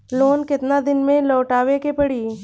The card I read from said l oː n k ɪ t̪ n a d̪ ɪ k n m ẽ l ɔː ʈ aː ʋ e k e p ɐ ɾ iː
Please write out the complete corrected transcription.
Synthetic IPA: l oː n k ɪ t̪ n a d̪ ɪ n m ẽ l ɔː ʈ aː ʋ e k e p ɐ ɽ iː

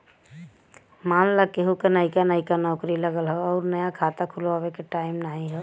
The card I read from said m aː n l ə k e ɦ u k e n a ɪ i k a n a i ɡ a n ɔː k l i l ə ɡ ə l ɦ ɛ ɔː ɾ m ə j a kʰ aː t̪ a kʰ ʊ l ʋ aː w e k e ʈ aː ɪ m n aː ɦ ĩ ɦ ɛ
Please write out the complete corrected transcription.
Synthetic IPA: m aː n l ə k e ɦ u k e n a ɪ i k a n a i k a n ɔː k ɾ i l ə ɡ ə l ɦ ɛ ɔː ɾ n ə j a kʰ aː t̪ a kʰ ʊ l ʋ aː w e k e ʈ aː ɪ m n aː ɦ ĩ ɦ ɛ

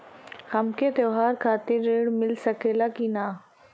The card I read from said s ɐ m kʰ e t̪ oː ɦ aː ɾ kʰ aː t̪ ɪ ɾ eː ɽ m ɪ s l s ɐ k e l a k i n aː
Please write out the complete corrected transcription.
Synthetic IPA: h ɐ m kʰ e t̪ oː ɦ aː ɾ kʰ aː t̪ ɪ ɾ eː ɽ m ɪ l s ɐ k e l a k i n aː

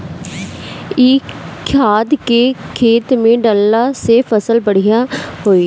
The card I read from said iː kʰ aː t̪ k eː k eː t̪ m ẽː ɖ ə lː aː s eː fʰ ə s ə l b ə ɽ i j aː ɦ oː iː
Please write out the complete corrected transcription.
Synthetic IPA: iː kʰ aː d̪ k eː kʰ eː t̪ m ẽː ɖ ə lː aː s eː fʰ ə s ə l b ə ɽ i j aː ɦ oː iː

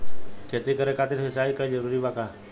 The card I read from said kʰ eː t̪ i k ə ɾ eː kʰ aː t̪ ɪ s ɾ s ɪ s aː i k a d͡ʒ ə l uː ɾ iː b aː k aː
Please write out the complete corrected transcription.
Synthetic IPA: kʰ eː t̪ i k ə ɾ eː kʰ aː t̪ ɪ ɾ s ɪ s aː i k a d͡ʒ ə ɾ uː ɾ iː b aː k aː

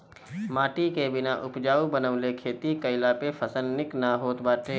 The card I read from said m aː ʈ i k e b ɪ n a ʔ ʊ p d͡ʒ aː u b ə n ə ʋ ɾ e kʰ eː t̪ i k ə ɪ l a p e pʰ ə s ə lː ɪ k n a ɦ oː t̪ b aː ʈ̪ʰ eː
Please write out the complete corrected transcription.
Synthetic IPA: m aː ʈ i k e b ɪ n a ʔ ʊ p d͡ʒ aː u b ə n ə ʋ l e kʰ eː t̪ i k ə ɪ l a p e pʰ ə s ə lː ɪ k n a ɦ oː t̪ b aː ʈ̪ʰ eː

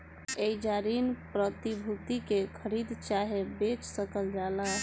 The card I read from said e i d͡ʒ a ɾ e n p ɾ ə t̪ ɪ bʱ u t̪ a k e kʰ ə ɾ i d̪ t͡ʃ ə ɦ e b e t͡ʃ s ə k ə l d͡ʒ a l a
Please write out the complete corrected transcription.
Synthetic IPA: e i d͡ʒ a ɾ i n p ɾ ə t̪ i bʱ u t̪ i k e kʰ ə ɾ i d̪ t͡ʃ a ɦ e b e t͡ʃ s ə k ə l d͡ʒ a l a

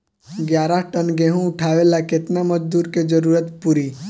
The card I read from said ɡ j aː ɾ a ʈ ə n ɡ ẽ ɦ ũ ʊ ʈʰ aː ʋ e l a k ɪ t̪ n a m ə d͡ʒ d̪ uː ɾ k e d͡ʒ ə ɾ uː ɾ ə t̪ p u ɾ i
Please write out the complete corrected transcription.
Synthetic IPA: ɡ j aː ɾ a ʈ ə n ɡ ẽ ɦ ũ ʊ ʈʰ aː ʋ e l a k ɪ t̪ n a m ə d͡ʒ d̪ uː ɾ k e d͡ʒ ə ɾ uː ɾ ə t̪ p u ɾ i

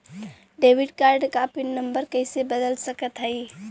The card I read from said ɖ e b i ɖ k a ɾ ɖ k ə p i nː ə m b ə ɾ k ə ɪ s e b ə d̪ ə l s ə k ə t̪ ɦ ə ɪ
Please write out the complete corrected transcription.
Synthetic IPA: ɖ e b i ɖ k a ɾ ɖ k a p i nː ə m b ə ɾ k ə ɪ s e b ə d̪ ə l s ə k ə t̪ ɦ ə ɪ

